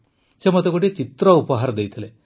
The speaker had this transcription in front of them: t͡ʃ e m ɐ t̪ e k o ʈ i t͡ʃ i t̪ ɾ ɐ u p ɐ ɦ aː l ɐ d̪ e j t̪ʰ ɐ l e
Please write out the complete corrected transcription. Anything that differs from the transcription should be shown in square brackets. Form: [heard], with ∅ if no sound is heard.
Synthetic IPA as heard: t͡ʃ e m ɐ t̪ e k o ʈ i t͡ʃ i t̪ ɾ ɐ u p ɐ ɦ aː [ɾ] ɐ d̪ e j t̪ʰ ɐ l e